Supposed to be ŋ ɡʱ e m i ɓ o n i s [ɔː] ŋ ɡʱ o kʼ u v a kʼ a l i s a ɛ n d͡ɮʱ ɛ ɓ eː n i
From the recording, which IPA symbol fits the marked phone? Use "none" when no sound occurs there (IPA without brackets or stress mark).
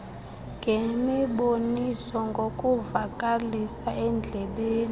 ɔ